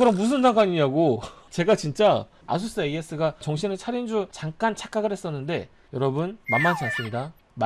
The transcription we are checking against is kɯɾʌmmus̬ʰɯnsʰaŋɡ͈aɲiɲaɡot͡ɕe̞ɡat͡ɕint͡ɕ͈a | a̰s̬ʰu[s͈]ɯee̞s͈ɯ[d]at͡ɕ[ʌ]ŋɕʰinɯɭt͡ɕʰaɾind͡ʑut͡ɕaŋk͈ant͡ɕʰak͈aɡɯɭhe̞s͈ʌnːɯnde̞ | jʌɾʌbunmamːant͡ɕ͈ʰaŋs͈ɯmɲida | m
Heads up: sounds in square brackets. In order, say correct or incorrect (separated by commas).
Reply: correct, incorrect, correct